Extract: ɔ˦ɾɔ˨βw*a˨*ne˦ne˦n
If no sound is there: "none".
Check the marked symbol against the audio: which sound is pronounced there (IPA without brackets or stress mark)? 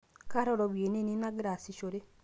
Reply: e˨